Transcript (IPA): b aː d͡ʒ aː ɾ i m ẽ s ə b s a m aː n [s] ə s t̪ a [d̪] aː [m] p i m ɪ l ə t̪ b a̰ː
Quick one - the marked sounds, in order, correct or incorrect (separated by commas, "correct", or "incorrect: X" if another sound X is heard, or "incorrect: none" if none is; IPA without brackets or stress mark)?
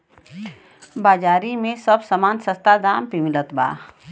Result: correct, correct, correct